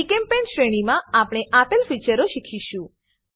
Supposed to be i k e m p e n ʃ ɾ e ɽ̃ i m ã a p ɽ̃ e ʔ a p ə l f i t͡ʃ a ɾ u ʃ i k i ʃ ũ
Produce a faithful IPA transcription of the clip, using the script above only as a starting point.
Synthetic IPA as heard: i k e m p e n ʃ ɾ e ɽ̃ i m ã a p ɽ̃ e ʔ a p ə l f i t͡ʃ ə ɾ o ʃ i kʰ i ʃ ũ